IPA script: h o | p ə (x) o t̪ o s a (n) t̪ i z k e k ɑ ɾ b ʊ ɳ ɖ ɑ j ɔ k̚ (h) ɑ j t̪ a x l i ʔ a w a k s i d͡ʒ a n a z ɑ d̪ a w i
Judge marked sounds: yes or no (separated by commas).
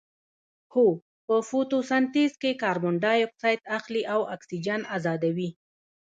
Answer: no, yes, no